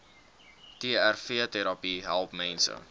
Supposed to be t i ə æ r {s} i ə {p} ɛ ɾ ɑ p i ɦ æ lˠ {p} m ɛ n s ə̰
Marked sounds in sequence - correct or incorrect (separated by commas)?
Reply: incorrect, incorrect, correct